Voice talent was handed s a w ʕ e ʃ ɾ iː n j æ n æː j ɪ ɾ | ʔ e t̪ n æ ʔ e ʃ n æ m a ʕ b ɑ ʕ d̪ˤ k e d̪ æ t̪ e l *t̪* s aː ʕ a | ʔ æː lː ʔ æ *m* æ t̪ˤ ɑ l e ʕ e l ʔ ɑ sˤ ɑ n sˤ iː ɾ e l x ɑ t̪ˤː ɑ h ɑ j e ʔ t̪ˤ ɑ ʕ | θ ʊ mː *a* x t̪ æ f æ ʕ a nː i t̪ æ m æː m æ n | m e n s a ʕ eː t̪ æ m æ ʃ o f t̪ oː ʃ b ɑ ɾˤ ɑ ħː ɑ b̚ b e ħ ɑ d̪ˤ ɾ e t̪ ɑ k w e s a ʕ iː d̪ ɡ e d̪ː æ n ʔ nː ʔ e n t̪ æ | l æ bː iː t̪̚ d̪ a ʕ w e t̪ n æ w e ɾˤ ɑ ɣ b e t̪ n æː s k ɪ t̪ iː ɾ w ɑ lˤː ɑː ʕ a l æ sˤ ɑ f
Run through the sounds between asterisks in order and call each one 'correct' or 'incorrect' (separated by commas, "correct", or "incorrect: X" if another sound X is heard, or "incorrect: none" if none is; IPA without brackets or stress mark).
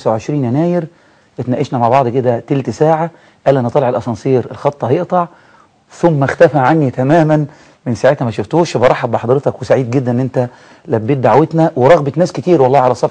correct, incorrect: n, incorrect: æ